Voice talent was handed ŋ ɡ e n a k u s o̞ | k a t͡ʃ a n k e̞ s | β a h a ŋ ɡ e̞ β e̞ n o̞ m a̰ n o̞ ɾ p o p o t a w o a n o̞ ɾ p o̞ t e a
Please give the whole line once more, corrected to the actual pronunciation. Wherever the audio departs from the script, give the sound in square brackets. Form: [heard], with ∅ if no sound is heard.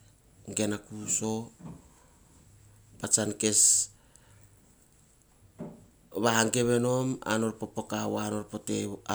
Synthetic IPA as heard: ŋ ɡ e n a k u s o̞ | [p] a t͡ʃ a n k e̞ s | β a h a ŋ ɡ e̞ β e̞ n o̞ m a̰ n o̞ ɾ p o p o [k] a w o a n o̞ ɾ p o̞ t e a